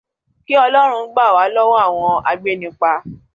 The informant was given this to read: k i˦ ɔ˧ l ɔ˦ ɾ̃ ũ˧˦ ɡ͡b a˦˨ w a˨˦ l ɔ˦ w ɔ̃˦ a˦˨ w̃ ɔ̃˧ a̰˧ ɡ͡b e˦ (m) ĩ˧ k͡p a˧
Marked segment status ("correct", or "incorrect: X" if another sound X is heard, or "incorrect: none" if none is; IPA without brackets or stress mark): incorrect: n